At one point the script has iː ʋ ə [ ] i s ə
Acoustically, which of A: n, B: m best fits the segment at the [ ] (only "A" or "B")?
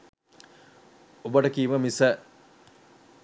B